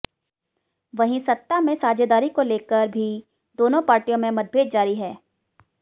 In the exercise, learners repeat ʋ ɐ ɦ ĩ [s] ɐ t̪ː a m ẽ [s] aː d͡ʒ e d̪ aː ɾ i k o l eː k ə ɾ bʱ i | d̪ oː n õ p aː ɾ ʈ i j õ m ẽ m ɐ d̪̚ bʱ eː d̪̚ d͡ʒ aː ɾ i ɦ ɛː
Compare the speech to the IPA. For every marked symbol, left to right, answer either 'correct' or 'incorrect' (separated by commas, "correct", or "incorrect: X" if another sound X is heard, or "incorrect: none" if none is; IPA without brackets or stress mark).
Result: correct, correct